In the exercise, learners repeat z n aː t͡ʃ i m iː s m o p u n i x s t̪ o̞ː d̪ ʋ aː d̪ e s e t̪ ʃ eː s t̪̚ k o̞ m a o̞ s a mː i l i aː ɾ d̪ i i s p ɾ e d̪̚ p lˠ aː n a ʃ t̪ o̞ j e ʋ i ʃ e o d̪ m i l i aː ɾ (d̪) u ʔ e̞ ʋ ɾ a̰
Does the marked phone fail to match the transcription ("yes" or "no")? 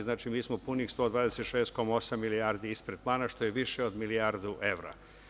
no